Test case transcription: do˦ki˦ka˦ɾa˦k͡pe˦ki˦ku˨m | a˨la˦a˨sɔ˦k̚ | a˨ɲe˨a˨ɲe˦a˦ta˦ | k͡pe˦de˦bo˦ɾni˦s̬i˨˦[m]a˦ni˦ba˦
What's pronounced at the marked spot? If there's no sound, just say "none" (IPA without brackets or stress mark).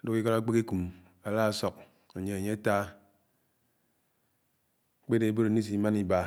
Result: m